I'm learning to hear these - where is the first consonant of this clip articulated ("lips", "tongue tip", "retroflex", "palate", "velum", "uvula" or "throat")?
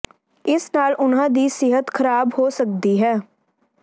tongue tip